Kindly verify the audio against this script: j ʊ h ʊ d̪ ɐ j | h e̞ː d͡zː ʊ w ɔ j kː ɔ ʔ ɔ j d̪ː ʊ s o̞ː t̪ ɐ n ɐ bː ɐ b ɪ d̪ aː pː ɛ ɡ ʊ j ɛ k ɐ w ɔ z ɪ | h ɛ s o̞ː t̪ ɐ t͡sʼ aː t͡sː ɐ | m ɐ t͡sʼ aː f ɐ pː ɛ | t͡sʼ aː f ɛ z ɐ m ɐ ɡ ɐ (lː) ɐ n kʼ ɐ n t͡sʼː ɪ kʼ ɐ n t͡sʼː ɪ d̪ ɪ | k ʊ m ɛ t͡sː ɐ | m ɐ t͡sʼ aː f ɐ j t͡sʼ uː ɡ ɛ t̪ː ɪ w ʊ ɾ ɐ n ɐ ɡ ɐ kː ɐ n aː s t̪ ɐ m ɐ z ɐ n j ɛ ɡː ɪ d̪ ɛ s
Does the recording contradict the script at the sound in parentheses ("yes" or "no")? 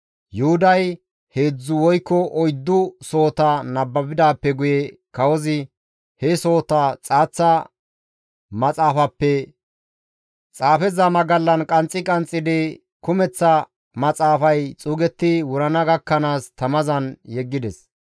no